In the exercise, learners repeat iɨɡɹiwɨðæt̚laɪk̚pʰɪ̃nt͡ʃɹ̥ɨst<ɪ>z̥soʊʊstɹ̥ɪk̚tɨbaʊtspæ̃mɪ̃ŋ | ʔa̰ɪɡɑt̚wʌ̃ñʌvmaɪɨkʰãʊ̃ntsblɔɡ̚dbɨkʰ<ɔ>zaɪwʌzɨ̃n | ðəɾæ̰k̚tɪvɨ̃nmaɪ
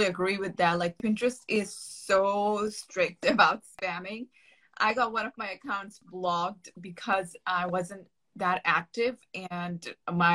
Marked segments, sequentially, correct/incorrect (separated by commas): correct, incorrect